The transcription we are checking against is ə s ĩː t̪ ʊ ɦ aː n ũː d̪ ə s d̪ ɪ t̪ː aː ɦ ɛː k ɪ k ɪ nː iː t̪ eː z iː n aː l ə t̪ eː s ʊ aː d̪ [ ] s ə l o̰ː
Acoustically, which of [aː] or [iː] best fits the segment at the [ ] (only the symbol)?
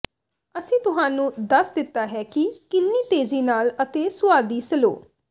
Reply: iː